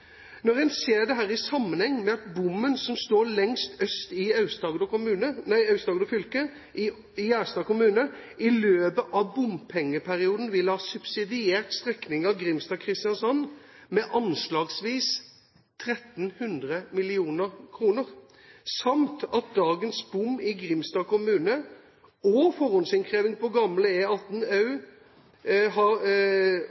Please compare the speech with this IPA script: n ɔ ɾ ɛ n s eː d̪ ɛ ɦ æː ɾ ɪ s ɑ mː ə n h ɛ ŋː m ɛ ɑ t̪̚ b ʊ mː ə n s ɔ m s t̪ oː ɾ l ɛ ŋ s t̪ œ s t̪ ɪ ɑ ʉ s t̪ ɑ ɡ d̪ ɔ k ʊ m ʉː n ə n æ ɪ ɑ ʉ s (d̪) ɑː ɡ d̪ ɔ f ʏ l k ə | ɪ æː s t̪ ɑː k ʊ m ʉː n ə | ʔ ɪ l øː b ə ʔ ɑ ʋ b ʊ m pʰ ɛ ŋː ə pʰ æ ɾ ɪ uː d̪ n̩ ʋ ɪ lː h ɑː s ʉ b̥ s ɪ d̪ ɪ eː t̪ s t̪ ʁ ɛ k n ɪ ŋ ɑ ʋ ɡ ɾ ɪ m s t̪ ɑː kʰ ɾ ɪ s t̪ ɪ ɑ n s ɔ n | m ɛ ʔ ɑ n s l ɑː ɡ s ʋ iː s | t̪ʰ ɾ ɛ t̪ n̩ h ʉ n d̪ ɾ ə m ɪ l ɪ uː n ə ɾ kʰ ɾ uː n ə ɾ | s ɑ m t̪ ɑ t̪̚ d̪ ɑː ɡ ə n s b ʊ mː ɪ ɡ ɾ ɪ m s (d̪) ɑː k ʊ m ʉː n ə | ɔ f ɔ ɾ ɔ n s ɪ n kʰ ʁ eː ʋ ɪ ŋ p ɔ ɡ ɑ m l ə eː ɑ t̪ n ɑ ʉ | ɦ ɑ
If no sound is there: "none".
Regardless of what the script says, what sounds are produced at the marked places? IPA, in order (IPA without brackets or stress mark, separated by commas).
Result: t̪, t̪